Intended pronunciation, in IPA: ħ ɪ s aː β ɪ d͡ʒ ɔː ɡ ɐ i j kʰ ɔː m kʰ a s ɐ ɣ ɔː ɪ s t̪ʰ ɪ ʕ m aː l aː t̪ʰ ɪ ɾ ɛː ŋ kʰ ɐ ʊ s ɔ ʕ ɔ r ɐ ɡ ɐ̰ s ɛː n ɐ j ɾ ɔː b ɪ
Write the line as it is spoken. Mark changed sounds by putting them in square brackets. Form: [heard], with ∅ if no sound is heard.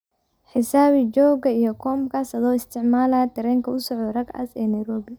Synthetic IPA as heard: ħ ɪ s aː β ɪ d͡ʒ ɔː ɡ ɐ i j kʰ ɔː m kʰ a s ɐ [ð] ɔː ɪ s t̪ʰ ɪ ʕ m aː l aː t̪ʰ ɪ ɾ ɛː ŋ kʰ ɐ ʊ s ɔ ʕ ɔ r ɐ ɡ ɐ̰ s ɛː n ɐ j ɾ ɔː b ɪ